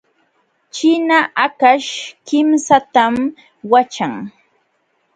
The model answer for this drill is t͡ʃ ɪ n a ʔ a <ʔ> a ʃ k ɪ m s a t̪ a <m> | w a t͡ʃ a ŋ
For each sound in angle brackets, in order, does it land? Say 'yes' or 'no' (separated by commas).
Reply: no, yes